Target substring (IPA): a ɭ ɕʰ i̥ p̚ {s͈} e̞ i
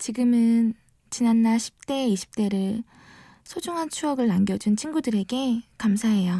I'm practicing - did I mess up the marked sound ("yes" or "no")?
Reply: yes